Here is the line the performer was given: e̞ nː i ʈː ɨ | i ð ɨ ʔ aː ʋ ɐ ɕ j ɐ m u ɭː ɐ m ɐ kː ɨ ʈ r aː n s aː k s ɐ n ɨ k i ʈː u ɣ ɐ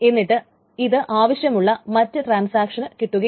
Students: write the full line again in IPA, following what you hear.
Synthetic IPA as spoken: e̞ nː i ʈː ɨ | i ð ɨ ʔ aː ʋ ɐ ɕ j ɐ m u ɭː ɐ m ɐ tː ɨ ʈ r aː n s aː k ʂ ɐ n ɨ k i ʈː u ɣ ɐ